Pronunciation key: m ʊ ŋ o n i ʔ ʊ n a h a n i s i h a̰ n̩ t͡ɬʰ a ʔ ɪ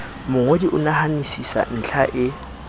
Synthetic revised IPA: m ʊ ŋ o d i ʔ ʊ n a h a n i s i s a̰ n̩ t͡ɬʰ a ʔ ɪ